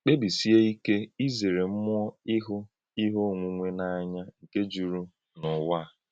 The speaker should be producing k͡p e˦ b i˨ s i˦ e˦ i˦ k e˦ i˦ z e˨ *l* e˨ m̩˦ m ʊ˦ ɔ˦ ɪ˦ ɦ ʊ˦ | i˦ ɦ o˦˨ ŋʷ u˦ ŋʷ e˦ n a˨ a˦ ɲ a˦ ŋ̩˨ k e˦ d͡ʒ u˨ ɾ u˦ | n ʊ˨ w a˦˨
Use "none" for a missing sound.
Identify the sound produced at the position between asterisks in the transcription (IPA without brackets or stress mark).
ɾ